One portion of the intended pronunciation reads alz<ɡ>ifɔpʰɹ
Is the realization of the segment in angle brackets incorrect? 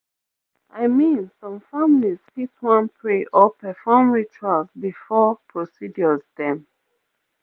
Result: yes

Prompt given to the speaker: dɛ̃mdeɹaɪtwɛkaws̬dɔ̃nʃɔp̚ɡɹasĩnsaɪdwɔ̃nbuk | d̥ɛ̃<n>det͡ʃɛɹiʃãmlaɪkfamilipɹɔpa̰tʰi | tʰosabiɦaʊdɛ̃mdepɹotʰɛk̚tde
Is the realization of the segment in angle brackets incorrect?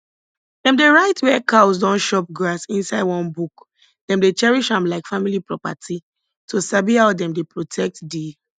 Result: yes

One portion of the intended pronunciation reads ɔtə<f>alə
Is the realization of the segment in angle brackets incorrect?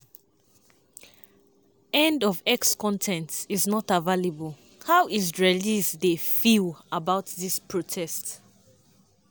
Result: yes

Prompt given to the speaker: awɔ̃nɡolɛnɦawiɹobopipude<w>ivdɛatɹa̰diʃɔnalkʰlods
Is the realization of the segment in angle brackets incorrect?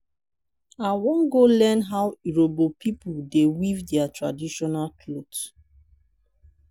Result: no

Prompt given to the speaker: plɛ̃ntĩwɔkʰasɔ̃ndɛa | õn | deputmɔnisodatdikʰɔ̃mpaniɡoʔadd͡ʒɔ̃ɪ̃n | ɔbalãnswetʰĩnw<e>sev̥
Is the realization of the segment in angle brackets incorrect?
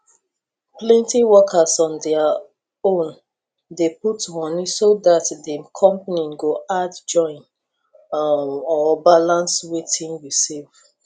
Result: yes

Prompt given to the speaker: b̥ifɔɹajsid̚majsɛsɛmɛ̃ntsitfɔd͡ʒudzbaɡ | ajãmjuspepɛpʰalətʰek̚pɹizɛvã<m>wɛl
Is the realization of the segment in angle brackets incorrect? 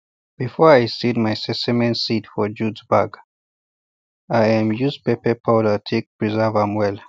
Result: no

